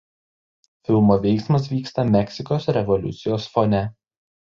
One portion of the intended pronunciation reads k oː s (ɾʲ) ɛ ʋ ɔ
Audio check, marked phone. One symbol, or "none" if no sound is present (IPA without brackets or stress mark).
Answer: ɾʲ